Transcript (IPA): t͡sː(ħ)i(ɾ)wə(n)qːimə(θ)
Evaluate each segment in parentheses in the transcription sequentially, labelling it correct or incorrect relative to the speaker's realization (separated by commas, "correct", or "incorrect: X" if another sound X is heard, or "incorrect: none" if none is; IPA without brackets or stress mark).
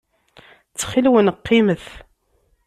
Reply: incorrect: χ, incorrect: l, correct, correct